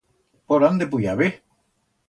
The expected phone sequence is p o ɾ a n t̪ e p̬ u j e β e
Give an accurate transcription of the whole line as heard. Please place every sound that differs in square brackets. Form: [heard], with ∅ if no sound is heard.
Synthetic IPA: p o ɾ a n [d̪] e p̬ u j [a] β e